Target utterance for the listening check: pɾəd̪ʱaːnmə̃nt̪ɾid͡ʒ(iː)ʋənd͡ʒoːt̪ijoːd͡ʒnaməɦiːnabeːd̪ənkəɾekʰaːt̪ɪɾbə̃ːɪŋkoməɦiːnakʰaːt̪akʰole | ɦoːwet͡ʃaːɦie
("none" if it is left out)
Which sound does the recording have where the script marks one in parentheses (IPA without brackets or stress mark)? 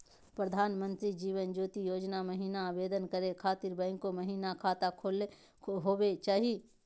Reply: iː